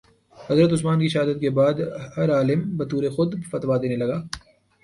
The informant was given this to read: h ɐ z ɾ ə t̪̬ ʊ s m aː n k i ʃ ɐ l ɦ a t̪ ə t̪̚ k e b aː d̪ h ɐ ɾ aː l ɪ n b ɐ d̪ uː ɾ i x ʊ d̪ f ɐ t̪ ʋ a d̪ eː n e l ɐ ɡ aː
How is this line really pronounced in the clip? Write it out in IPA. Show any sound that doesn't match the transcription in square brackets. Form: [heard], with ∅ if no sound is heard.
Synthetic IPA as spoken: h ɐ z ɾ ə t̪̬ ʊ s m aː n k i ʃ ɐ [∅] ɦ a [d̪] ə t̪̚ k e b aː d̪ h ɐ ɾ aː l ɪ [m] b ɐ [t̪] uː ɾ [e] x ʊ d̪ f ɐ t̪ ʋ a d̪ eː n e l ɐ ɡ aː